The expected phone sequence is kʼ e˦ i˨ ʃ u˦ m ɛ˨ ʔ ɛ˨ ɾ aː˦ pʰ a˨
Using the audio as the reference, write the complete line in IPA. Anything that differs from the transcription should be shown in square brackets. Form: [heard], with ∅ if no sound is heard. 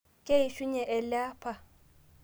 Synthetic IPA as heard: kʼ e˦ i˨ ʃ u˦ [ɲ] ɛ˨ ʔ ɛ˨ [l] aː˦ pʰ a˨